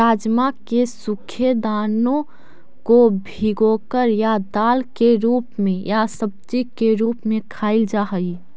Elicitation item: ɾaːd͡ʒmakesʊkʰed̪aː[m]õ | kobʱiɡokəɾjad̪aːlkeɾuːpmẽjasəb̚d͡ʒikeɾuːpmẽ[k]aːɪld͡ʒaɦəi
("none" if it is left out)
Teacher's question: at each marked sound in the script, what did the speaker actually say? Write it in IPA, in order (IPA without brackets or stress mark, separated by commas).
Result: n, kʰ